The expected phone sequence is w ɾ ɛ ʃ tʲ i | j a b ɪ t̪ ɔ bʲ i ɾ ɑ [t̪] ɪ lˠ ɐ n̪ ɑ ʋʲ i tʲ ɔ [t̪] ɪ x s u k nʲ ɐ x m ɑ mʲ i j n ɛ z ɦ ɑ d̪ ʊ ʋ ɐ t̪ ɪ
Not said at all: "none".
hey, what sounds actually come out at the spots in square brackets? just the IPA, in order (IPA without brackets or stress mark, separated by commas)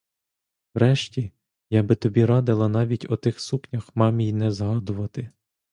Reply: d̪, t̪